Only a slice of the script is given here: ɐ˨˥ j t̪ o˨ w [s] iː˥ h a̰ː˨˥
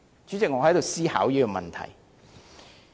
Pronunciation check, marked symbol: correct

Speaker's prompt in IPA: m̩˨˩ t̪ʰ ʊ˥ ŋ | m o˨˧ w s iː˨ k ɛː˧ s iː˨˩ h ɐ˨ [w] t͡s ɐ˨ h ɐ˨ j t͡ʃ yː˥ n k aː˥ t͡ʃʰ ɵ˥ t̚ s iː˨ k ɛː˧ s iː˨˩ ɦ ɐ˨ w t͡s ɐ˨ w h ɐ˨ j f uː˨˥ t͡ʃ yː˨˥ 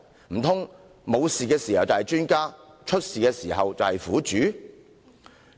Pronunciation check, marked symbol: correct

